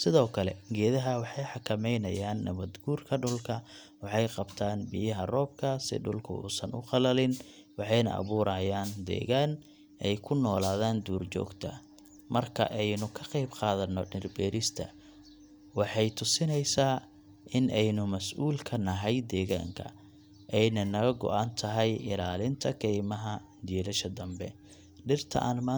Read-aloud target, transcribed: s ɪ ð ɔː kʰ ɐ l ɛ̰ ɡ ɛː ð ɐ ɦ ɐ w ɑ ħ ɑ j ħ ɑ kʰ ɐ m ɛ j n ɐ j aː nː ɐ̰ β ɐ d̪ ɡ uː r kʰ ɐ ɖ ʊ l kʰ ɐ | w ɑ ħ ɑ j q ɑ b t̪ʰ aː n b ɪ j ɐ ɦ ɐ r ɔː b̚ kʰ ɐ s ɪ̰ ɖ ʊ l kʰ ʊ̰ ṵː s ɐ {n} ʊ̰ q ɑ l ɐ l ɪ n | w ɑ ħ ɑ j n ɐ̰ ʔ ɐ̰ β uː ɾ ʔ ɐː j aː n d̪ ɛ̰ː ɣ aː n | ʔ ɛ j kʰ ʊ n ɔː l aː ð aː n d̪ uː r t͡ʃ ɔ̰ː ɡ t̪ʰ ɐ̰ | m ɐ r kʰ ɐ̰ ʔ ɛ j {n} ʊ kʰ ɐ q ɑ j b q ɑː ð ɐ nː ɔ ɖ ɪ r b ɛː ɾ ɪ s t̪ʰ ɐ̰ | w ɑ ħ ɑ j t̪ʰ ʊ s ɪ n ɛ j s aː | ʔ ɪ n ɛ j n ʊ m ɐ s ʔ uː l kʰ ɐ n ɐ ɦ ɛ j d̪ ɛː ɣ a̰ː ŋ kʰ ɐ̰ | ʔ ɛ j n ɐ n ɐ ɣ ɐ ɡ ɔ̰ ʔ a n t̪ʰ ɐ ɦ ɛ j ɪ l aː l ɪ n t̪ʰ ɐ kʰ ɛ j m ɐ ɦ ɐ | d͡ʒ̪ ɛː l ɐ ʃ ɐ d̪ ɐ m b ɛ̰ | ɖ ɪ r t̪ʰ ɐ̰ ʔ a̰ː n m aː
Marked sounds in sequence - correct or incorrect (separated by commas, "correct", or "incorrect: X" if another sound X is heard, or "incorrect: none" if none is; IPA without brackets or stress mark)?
correct, correct